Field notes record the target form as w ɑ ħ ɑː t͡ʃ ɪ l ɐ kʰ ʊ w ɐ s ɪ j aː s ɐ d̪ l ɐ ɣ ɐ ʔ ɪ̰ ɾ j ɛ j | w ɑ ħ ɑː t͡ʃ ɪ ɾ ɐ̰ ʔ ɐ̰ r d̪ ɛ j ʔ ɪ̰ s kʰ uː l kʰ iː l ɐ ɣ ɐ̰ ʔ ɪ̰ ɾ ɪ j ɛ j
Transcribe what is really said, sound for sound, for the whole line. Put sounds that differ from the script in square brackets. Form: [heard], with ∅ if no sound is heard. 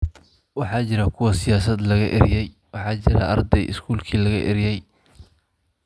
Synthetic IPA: w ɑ ħ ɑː t͡ʃ ɪ [ɾ] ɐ kʰ ʊ w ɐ s ɪ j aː s ɐ d̪ l ɐ ɣ ɐ ʔ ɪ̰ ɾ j ɛ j | w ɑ ħ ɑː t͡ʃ ɪ ɾ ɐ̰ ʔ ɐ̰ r d̪ ɛ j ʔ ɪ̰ s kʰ uː l kʰ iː l ɐ ɣ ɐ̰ ʔ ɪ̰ ɾ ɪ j ɛ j